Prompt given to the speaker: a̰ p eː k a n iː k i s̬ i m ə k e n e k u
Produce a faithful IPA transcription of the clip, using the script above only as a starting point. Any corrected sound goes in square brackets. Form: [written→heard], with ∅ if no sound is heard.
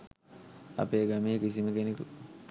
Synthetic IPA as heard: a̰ p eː [k→ɡ] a [n→m] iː k i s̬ i m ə k e n e k u